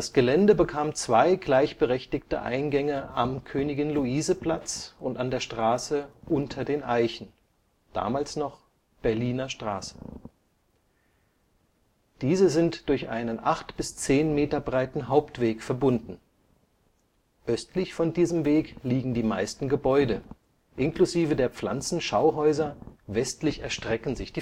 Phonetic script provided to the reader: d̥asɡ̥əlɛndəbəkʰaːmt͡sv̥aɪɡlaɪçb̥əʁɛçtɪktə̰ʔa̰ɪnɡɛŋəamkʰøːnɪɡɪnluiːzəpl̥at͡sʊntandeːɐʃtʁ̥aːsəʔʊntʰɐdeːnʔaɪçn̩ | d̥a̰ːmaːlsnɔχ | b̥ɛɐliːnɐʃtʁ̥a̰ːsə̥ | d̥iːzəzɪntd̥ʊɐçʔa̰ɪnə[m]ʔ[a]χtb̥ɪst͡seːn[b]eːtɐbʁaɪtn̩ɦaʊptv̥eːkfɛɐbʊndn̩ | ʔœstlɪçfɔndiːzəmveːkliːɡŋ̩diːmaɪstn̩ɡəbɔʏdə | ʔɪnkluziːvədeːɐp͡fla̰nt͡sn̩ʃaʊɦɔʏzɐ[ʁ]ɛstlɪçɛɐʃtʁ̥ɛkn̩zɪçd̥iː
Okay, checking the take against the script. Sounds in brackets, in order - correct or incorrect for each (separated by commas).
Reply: incorrect, correct, incorrect, incorrect